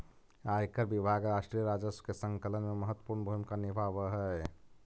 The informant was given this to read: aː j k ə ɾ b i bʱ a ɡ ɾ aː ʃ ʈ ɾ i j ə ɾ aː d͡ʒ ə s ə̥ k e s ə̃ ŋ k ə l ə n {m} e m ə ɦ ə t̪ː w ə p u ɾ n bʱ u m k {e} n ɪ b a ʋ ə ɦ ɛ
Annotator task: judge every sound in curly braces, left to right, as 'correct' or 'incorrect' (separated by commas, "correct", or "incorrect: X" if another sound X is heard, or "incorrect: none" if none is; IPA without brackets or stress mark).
correct, incorrect: a